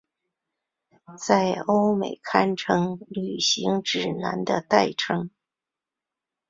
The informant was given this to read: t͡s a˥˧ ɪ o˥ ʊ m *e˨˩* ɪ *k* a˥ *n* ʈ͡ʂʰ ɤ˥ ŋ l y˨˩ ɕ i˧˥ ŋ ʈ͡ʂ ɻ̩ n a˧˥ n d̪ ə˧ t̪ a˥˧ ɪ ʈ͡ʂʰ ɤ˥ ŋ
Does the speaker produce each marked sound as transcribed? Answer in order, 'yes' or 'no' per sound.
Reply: yes, no, yes

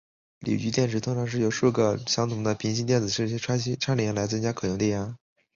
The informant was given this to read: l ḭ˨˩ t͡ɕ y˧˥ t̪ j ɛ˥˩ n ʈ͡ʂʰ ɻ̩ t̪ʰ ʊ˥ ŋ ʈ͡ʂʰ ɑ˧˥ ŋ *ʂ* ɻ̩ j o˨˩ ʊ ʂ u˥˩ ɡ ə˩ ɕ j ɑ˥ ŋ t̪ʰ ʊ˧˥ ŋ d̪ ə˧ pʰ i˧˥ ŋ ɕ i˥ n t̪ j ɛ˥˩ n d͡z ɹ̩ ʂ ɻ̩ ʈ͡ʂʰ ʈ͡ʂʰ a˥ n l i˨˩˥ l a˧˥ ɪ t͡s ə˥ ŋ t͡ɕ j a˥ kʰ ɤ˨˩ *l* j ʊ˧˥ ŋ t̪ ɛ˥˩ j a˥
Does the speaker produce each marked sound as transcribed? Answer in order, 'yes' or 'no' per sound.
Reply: yes, no

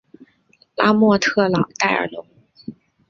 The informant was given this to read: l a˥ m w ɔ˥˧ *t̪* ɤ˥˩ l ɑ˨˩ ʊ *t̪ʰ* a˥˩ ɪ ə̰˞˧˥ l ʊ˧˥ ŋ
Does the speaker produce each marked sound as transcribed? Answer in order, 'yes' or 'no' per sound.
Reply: no, no

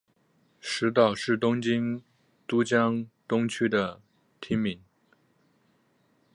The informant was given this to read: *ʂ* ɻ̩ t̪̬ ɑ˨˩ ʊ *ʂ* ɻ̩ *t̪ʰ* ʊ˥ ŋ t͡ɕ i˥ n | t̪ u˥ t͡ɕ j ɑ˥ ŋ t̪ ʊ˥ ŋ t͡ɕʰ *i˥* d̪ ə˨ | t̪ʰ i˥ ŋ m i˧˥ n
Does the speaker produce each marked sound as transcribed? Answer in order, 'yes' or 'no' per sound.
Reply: yes, yes, no, no

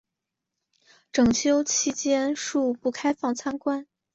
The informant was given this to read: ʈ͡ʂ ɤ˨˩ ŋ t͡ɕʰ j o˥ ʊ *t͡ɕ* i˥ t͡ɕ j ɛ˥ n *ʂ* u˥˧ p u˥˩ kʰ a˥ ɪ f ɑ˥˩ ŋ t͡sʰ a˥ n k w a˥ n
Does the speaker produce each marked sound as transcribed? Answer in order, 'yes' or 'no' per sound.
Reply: no, yes

